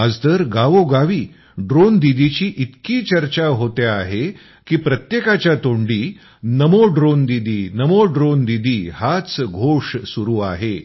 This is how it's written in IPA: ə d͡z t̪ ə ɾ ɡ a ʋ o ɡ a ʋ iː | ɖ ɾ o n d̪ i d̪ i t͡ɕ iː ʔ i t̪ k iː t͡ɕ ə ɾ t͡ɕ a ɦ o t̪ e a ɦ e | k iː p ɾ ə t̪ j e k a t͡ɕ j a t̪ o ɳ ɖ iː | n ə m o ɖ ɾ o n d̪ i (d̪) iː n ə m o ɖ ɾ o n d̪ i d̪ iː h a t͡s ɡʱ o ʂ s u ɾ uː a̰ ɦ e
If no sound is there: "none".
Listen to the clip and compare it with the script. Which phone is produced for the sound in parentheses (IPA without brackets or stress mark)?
d̪